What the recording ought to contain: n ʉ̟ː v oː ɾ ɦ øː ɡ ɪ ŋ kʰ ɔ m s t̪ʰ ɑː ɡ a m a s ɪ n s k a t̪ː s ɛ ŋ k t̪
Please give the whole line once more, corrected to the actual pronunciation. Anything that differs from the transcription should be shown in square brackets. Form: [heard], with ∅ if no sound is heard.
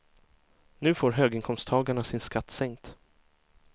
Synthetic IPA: n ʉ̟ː [f] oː ɾ ɦ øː ɡ ɪ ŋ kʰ ɔ m s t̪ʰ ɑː ɡ a [ɳ] a s ɪ n s k a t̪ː s ɛ ŋ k t̪

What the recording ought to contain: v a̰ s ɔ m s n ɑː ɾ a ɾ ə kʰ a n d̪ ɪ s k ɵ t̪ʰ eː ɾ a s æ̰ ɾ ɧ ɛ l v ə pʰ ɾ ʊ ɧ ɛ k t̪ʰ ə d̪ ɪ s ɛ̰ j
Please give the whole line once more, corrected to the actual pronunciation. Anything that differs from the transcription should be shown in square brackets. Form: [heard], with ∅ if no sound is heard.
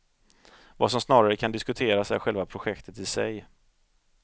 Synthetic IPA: v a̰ s ɔ m s n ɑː ɾ a ɾ ə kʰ a n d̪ ɪ s k ɵ t̪ʰ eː ɾ a s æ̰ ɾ ɧ ɛ l v [a] pʰ ɾ ʊ ɧ ɛ k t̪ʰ ə [t̪] ɪ s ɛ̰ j

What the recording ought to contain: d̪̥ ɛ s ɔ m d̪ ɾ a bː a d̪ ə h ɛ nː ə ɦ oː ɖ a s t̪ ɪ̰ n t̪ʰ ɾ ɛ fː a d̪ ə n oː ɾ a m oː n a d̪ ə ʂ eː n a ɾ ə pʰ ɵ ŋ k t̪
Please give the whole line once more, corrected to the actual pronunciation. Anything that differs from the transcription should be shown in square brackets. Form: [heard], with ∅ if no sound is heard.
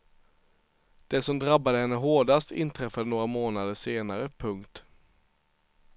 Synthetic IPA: d̪̥ ɛ s ɔ m d̪ ɾ a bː a d̪ ə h ɛ nː ə ɦ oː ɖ a s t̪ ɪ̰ n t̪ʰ ɾ ɛ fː a d̪ ə n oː ɾ a m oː n a d̪ ə ʂ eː n a ɾ ə pʰ ɵ ŋ k t̪

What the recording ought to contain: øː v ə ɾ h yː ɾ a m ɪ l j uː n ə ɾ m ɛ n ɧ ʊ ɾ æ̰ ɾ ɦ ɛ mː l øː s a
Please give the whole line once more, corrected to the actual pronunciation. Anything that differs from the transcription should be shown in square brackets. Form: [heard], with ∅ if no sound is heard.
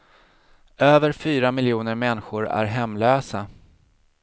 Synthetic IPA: øː v ə ɾ [f] yː ɾ a m ɪ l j uː n ə ɾ m ɛ n ɧ ʊ ɾ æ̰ ɾ ɦ ɛ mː l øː s a

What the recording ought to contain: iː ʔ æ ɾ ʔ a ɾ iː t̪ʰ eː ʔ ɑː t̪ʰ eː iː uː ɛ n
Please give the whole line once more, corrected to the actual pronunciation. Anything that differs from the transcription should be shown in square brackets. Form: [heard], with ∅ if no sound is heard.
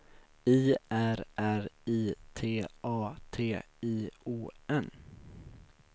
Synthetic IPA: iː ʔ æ ɾ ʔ [æ] ɾ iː t̪ʰ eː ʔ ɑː t̪ʰ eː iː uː ɛ n

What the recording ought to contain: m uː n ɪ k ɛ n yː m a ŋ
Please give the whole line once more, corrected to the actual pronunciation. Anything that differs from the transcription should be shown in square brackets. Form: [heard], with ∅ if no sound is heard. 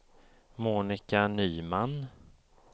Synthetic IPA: m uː n ɪ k [a] n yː m a [n]

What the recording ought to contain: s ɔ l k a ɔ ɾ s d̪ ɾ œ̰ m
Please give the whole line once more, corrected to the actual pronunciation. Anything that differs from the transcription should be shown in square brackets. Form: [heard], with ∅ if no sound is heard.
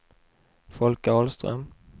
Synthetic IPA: [f] ɔ l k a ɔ [l] s [t̪] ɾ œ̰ m

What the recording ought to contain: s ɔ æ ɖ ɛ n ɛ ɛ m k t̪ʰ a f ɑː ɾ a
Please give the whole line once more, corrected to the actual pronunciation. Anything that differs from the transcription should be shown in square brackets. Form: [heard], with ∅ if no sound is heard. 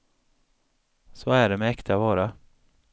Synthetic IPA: s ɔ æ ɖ ɛ [m] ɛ ɛ [∅] k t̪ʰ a [v] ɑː ɾ a

